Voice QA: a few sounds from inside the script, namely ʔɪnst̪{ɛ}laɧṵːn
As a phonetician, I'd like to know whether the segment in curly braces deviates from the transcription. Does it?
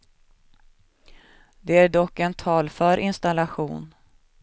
yes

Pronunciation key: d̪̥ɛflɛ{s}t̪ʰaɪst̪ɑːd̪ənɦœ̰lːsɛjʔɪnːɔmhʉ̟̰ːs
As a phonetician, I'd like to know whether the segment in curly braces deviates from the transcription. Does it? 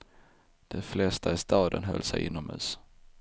no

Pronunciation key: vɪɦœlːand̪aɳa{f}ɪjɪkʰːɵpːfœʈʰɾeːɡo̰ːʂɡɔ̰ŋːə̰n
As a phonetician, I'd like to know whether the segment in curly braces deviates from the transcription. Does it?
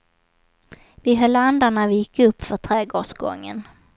yes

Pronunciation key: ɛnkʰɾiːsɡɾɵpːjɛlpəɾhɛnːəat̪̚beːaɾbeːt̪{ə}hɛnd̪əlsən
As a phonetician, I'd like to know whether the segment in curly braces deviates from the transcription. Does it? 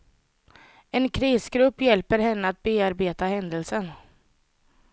yes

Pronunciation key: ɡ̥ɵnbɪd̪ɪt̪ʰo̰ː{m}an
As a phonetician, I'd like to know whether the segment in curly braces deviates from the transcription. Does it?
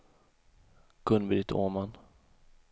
no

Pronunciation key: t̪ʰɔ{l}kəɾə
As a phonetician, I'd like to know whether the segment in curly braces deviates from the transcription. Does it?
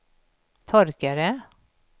yes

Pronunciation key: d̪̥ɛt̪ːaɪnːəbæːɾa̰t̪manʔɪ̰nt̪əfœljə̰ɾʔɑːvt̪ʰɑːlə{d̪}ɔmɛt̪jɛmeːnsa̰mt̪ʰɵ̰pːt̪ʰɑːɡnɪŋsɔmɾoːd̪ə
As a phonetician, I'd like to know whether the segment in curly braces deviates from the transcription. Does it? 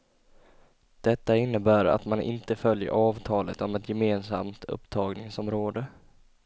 yes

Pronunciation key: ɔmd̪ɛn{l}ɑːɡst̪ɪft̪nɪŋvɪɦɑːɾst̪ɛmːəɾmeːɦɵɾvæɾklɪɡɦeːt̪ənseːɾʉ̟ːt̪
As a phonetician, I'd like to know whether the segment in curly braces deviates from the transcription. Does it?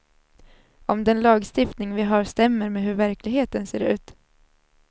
no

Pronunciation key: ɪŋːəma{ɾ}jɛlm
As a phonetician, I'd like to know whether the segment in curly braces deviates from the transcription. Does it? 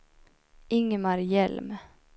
no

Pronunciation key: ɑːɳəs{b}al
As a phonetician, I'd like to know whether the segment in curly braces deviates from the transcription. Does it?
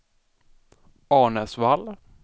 yes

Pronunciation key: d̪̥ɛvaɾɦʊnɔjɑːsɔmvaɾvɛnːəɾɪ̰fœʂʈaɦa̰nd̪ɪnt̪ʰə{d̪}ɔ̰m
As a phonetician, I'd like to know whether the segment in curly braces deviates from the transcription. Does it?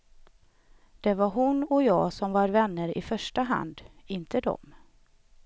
no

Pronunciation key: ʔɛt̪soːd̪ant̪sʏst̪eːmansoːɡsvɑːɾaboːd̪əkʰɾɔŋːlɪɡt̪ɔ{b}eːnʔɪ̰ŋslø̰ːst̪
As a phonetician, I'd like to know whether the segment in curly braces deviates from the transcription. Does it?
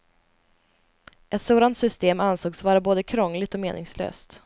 yes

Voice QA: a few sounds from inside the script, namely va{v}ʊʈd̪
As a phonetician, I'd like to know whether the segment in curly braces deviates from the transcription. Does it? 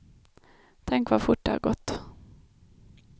yes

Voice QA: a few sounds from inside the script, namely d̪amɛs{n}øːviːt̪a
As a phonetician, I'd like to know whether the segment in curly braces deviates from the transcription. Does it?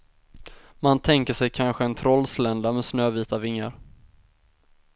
no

